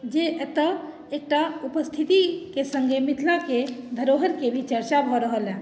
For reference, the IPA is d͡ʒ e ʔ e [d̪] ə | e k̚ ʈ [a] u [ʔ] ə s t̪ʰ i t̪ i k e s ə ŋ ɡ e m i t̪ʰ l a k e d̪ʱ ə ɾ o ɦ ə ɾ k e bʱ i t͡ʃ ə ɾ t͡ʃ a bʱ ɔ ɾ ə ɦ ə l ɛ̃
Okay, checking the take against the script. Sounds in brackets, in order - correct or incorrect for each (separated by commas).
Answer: incorrect, correct, incorrect